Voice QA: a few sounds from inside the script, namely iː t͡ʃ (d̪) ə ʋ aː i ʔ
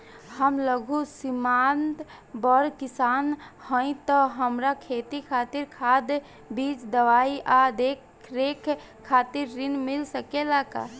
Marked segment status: correct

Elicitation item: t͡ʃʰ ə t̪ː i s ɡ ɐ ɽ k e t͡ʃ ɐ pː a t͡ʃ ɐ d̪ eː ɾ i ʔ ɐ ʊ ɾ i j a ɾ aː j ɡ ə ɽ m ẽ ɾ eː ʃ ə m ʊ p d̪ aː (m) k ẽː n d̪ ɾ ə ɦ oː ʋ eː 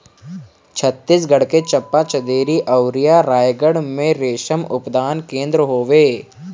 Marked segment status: incorrect: n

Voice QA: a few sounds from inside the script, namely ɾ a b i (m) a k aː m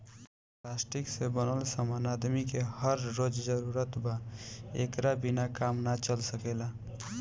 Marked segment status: incorrect: n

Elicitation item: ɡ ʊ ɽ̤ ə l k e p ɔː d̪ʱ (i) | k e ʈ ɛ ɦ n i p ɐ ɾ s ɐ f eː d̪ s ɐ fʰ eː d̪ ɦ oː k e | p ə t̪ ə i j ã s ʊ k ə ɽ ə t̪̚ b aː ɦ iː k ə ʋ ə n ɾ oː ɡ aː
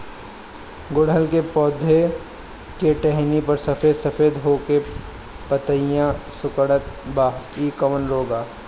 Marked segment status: incorrect: e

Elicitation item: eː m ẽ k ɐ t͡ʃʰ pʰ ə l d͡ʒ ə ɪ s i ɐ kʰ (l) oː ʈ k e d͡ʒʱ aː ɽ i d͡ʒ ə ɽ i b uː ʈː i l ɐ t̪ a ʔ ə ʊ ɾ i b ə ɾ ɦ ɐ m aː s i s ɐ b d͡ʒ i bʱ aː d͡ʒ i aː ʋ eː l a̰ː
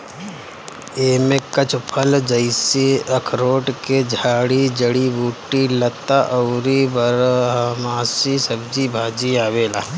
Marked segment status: incorrect: ɾ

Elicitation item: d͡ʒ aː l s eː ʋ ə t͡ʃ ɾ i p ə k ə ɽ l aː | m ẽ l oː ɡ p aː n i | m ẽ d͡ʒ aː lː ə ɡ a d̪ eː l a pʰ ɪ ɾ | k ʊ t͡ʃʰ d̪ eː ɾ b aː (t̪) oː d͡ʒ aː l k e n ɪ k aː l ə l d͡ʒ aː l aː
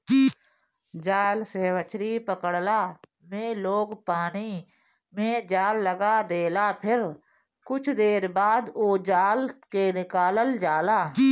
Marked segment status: incorrect: d̪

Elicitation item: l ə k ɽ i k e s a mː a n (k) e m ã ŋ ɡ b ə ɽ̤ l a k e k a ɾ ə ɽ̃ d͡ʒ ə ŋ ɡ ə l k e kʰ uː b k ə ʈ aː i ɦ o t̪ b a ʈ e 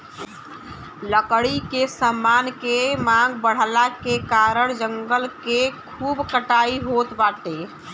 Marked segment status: correct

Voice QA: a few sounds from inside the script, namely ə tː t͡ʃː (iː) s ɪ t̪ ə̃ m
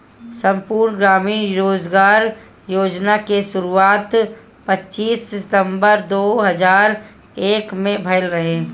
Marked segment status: correct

